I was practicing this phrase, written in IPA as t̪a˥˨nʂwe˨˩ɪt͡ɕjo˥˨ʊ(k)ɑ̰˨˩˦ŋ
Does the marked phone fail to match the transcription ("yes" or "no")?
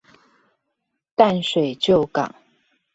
no